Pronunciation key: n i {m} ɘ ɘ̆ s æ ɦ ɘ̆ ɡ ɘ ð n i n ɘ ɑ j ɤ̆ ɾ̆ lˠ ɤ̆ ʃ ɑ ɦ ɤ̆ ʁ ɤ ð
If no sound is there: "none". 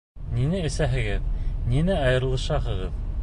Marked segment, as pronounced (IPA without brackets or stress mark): n